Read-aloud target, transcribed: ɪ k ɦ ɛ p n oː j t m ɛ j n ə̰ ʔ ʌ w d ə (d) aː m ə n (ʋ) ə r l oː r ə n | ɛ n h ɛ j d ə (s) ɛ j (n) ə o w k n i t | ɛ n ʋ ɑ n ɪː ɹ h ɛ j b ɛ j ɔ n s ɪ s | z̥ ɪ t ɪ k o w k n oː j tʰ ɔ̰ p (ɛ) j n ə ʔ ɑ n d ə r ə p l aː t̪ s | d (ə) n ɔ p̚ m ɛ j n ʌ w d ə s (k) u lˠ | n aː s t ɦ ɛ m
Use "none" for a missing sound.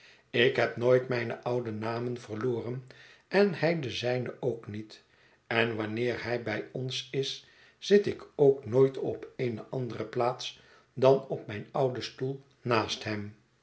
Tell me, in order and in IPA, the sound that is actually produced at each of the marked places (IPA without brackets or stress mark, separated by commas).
n, v, z, n, e, ɑ, t